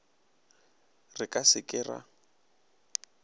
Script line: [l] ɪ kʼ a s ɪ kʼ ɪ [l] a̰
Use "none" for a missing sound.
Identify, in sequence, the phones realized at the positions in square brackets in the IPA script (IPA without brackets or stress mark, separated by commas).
r, r